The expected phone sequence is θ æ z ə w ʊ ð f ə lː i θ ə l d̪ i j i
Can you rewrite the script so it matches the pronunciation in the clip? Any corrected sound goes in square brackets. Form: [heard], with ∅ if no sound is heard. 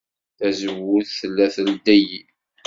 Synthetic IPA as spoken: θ æ z ə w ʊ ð [θ] ə lː [æ] θ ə l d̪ [æ] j i